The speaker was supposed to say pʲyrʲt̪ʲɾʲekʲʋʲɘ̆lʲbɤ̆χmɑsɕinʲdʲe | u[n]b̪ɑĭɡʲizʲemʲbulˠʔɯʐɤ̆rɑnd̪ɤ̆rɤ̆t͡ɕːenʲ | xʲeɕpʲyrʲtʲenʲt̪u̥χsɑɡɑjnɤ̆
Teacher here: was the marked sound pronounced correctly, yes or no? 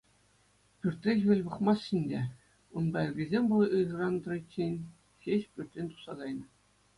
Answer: yes